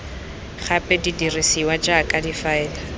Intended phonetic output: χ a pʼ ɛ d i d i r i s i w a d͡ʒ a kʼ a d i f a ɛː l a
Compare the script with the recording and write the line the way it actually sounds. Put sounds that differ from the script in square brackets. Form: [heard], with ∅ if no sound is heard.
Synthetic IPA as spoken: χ a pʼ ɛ d i d i r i s i w a d͡ʒ a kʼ a d i f a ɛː l a